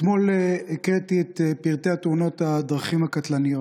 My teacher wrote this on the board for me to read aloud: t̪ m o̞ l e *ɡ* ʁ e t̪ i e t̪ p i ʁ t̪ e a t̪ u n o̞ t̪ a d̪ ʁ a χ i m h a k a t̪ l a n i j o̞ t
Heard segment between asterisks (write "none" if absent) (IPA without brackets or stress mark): k